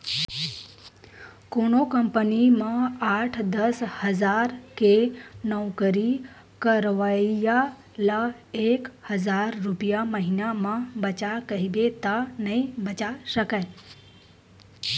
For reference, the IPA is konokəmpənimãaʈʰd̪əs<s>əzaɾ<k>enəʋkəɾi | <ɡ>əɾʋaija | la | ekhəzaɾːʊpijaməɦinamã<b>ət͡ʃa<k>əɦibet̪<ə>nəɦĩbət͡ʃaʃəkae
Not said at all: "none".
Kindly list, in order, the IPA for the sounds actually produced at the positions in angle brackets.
h, k, k, b, k, a

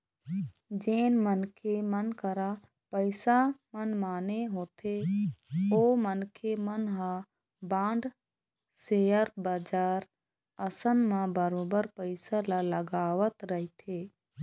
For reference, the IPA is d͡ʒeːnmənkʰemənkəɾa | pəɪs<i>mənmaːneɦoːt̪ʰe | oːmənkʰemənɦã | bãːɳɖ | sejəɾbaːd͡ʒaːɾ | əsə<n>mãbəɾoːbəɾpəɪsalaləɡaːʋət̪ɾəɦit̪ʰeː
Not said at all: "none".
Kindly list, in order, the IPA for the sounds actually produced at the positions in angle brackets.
a, n

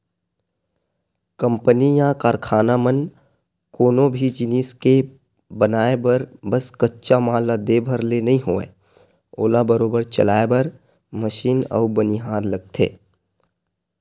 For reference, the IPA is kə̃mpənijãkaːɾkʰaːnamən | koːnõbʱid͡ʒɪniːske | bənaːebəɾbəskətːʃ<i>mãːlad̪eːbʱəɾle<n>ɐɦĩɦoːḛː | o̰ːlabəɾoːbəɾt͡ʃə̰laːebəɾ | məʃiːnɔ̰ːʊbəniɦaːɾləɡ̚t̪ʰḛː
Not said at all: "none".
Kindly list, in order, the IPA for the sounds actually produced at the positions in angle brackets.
a, n

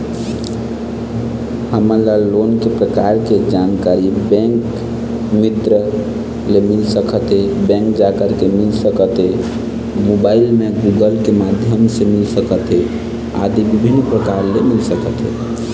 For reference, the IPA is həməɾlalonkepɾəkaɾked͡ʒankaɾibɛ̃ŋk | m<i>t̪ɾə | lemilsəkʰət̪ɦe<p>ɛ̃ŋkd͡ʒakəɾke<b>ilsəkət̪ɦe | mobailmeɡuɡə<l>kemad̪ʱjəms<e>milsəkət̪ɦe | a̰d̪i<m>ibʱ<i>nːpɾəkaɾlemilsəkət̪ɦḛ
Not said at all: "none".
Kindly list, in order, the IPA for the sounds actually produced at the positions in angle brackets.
i, b, m, l, e, b, i

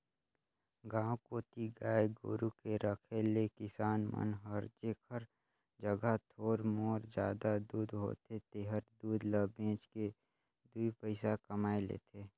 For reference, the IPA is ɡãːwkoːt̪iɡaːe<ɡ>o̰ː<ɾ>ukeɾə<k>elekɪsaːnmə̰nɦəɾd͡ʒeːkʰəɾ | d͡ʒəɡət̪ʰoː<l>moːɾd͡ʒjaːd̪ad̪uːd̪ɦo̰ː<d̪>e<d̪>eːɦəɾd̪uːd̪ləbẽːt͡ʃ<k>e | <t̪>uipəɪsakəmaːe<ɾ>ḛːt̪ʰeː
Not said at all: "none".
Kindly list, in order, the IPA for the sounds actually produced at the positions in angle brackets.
ɡ, ɾ, kʰ, ɾ, t̪, t̪, k, d̪, l

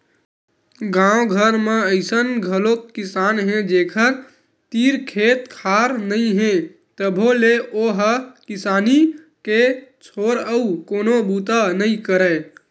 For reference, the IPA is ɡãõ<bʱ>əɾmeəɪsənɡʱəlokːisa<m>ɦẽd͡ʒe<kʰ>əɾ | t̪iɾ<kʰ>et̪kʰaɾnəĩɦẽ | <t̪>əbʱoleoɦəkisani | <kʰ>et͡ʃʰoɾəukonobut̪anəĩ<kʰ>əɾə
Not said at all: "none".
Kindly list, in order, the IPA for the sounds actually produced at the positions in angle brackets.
ɡʱ, n, kʰ, kʰ, t̪, k, k

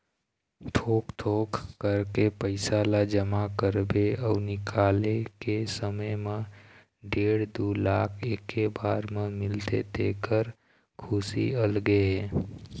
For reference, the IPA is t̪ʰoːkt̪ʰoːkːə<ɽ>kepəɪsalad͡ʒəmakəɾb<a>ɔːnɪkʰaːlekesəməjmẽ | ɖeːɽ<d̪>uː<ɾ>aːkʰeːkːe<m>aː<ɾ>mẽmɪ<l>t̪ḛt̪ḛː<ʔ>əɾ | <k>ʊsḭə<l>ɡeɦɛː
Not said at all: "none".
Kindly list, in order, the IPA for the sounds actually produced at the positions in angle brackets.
ɾ, e, d̪, l, b, ɾ, l, k, kʰ, l

